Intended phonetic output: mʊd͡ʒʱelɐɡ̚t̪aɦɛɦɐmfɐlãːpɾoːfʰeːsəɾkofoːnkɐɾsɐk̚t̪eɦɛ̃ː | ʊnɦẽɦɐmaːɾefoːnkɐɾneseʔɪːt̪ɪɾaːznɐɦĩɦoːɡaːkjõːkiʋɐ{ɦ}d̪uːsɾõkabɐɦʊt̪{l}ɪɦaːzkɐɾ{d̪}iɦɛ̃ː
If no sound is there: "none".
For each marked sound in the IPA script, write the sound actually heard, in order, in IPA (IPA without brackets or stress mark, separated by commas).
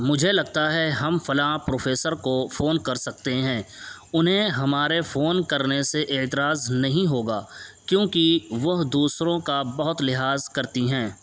ɦ, l, t̪